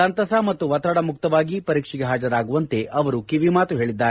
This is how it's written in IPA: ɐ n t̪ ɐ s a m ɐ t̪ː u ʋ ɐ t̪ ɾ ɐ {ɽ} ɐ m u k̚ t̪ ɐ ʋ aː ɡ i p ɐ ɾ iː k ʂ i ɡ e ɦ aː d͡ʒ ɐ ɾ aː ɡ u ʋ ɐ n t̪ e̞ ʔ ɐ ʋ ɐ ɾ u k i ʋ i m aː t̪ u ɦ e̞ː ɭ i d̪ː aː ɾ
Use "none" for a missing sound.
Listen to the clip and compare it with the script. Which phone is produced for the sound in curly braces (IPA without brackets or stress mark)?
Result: ɽ